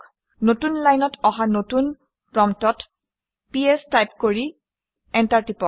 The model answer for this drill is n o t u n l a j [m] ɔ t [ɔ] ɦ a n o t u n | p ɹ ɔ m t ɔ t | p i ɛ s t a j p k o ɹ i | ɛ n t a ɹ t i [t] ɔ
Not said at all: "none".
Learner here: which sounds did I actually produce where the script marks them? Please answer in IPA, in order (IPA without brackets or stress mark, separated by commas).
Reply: n, ɔ, p